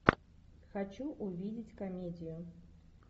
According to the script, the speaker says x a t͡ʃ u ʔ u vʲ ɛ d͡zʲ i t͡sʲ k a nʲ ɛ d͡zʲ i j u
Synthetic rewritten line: x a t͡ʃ u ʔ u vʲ i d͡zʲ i t͡sʲ k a mʲ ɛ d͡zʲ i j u